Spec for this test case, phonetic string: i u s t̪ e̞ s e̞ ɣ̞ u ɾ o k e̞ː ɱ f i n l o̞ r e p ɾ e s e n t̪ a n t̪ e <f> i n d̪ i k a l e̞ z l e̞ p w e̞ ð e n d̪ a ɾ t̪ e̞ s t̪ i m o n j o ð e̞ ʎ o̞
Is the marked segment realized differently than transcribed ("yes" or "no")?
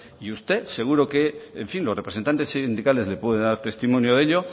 yes